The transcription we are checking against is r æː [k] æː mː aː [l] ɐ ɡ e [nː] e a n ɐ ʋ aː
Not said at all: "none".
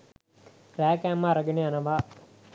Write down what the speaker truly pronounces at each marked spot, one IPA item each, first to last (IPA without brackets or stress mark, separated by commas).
k, ɾ, n